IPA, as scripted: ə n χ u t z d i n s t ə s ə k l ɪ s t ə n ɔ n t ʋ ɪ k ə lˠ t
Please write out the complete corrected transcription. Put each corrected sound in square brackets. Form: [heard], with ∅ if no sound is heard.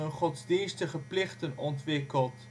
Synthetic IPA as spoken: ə n χ [ɔ] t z d i n s t ə [χ] ə [p] l ɪ [χ] t ə n ɔ n t ʋ ɪ k ə lˠ t